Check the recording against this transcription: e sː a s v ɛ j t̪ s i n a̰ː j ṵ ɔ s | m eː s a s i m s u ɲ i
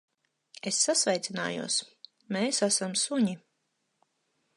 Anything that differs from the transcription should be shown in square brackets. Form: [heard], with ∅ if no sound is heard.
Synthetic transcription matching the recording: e sː a s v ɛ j t̪ s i n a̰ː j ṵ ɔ s | m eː s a s [a] m s u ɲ i